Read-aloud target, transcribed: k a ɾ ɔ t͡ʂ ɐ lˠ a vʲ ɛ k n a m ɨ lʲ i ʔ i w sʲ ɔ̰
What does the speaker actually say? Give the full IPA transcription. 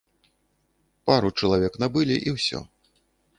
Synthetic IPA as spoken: p a ɾ u t͡ʂ ɐ lˠ a vʲ ɛ k n a b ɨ lʲ i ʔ i w sʲ ɔ̰